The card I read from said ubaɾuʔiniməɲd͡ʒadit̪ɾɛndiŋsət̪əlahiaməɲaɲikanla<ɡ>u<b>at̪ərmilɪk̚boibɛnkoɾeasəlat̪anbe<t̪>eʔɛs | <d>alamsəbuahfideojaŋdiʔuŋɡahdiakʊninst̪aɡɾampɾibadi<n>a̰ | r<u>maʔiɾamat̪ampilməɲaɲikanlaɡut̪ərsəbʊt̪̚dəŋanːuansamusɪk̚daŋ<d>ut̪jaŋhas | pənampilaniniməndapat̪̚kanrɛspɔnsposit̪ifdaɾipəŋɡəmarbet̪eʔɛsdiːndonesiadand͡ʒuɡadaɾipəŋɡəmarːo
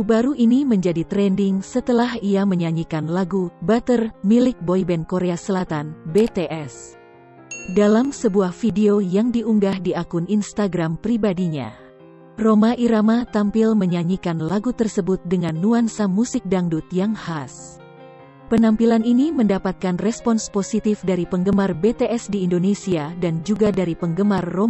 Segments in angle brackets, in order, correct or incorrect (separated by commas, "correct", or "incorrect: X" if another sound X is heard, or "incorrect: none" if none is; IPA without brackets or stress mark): correct, correct, correct, correct, incorrect: ɲ, incorrect: o, correct